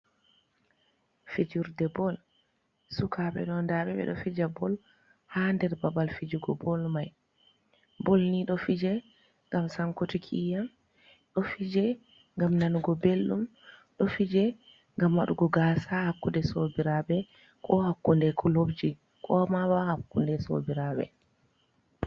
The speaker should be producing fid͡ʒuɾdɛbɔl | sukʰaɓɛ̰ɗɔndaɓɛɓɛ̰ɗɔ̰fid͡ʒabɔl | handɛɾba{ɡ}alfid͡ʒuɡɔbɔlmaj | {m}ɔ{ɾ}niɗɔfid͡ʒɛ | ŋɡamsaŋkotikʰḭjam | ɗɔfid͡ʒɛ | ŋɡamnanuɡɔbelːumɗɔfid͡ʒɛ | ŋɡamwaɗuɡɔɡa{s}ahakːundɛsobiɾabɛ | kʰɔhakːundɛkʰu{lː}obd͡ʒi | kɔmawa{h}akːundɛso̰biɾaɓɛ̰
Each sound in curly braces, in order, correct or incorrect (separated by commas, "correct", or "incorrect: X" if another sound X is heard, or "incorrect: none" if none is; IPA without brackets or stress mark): incorrect: b, incorrect: b, incorrect: l, correct, incorrect: l, correct